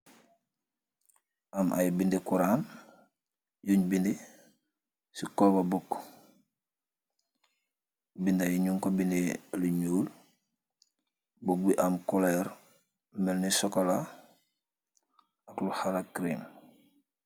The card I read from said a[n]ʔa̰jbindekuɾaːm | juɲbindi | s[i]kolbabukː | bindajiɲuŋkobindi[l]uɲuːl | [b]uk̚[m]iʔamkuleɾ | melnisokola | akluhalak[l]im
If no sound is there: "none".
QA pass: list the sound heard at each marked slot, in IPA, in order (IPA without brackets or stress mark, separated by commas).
m, i, l, b, b, ɾ